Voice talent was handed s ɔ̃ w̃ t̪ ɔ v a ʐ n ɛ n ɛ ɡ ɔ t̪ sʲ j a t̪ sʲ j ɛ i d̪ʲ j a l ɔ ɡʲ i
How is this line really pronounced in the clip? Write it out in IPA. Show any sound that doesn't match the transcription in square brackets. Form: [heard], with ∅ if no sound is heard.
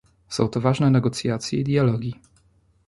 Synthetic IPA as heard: s ɔ̃ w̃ t̪ ɔ v a ʐ n ɛ n ɛ ɡ ɔ t̪ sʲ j a t̪ sʲ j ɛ i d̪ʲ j a l ɔ ɡʲ i